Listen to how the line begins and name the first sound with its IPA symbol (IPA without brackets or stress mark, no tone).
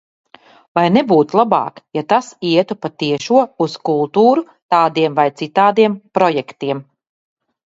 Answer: v